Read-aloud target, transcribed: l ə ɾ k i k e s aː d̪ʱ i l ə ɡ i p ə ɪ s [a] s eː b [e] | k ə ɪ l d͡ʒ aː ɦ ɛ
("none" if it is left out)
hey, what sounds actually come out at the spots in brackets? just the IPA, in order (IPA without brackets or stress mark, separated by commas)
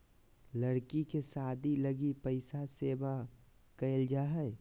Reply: a, a